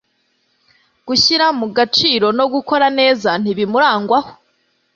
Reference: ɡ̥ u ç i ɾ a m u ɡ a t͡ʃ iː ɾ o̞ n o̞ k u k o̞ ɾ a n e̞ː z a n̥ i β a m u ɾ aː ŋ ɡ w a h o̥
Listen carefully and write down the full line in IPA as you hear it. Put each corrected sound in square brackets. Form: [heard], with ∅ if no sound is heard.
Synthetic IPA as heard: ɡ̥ u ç i ɾ a m u ɡ a t͡ʃ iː ɾ o̞ n o̞ [ɡ] u k o̞ ɾ a n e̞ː z a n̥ i β [i] m u ɾ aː ŋ ɡ w a h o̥